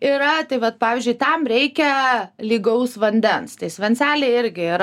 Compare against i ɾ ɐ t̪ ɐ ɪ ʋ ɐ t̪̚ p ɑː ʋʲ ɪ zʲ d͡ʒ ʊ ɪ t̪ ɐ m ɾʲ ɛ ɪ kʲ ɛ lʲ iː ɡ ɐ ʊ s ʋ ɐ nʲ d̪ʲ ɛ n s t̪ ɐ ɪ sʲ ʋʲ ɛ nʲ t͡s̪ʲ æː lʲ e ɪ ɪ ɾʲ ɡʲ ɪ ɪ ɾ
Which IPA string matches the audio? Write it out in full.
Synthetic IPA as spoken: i ɾ ɐ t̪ ɐ ɪ ʋ ɐ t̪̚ p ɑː ʋʲ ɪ zʲ d͡ʒ ʊ ɪ t̪ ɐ m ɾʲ ɛ ɪ kʲ ɛ lʲ iː ɡ ɐ ʊ s ʋ ɐ nʲ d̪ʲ ɛ n s t̪ ɐ ɪ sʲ ʋʲ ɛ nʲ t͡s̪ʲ æː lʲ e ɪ ɪ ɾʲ ɡʲ ɪ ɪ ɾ